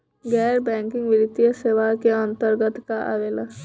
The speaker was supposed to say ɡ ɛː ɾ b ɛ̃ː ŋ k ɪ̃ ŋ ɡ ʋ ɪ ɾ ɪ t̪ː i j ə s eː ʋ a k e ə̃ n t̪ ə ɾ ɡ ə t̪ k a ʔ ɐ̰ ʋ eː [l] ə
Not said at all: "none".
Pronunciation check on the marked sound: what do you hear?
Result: l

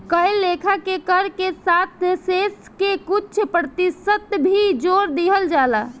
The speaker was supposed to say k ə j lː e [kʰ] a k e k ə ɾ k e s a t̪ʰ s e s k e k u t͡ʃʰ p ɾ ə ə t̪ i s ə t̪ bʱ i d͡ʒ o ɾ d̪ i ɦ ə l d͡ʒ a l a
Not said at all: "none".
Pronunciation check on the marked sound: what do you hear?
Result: kʰ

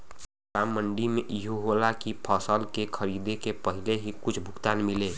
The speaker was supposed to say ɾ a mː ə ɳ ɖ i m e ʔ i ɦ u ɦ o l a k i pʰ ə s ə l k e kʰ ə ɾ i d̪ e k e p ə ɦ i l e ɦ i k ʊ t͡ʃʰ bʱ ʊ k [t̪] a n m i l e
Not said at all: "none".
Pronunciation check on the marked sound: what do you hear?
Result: t̪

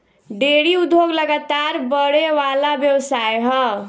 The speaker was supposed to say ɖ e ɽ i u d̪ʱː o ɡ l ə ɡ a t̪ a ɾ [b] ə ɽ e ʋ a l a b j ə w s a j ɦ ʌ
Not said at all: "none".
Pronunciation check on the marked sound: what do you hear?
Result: b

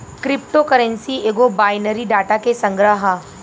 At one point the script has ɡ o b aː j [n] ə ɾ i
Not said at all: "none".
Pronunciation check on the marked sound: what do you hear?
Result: n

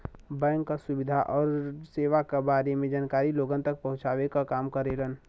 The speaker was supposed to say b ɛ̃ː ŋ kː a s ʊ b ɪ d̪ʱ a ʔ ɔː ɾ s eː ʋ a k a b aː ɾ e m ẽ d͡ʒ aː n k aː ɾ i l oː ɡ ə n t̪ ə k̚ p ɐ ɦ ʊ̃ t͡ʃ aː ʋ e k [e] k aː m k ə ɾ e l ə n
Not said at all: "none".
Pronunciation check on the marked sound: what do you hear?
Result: a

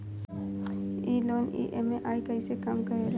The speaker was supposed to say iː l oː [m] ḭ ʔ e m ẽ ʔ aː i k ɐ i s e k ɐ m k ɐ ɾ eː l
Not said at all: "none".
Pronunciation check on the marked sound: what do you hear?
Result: n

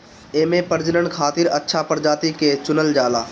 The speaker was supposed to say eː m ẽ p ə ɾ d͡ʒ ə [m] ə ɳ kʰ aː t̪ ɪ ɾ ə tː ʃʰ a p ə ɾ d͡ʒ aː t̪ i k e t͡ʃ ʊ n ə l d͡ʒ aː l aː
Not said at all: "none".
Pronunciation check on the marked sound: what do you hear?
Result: n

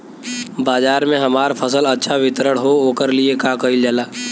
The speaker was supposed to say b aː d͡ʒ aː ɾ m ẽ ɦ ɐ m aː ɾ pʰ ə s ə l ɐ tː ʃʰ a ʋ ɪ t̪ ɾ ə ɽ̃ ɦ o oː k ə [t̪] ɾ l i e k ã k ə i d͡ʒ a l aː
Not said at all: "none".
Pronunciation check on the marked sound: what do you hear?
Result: none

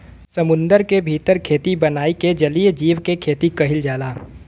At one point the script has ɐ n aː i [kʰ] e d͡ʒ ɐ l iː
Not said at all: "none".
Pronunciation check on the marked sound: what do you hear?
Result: k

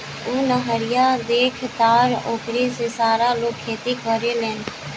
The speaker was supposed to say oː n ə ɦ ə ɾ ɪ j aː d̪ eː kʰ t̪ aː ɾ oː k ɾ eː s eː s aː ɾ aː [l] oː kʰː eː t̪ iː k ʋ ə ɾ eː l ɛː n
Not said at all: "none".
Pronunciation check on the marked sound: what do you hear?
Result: l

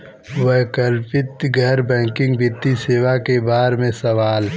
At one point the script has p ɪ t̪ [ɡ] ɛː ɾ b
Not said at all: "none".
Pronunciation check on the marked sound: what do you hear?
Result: ɡ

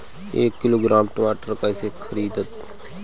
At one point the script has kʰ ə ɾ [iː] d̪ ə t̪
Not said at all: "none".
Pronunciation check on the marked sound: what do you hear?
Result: iː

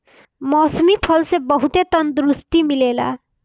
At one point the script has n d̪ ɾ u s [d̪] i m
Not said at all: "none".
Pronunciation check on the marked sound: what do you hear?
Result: t̪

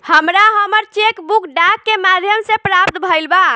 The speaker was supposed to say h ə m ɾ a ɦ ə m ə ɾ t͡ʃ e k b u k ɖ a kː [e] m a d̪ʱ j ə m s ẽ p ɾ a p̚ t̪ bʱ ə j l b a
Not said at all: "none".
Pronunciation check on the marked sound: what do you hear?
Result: e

